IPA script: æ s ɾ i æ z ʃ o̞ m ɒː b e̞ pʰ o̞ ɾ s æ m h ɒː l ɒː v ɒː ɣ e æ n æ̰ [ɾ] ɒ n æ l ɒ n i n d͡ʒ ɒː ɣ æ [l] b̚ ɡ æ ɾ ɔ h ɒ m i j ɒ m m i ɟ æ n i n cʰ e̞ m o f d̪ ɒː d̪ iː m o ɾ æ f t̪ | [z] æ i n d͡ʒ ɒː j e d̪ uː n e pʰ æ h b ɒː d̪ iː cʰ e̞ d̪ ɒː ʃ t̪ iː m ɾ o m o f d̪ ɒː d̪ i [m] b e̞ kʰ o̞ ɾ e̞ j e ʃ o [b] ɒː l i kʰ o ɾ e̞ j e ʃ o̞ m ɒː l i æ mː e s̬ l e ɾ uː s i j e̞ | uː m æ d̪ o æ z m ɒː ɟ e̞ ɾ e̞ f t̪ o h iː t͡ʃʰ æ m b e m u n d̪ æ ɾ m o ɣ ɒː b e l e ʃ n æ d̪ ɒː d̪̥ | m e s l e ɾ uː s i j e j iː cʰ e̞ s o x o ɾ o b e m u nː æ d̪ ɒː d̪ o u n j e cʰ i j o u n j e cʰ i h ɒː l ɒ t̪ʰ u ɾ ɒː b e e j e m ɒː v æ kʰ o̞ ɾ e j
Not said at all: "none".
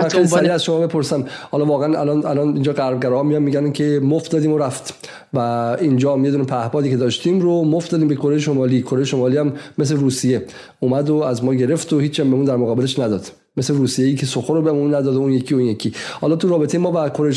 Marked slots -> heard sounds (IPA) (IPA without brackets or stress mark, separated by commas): l, ɾ, v, m, m